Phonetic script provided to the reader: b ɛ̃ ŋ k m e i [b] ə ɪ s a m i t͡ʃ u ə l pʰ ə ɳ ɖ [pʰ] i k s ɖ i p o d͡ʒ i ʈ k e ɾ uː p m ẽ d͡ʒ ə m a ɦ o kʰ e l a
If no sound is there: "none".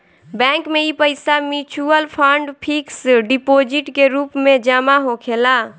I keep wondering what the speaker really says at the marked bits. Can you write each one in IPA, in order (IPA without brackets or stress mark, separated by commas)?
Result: p, pʰ